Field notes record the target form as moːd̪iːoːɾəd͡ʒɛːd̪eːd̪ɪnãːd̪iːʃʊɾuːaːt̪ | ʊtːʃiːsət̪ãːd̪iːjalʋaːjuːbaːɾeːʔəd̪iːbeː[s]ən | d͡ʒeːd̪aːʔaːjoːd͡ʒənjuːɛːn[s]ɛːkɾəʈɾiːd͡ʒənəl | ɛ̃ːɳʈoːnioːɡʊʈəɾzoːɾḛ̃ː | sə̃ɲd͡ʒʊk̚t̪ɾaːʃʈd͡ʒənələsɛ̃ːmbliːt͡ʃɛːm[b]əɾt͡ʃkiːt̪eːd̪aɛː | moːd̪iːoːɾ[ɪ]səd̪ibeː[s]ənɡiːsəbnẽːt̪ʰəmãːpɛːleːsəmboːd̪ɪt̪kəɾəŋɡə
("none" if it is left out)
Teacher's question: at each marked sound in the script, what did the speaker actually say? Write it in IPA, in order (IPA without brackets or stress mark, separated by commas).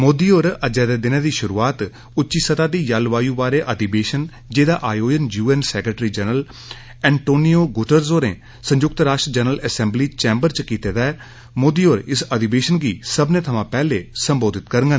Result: ʃ, s, b, ɪ, ʃ